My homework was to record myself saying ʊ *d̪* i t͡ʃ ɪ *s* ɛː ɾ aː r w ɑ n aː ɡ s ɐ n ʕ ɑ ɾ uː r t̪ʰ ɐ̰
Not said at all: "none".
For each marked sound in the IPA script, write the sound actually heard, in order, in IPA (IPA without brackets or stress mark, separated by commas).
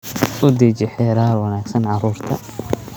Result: d̪, ħ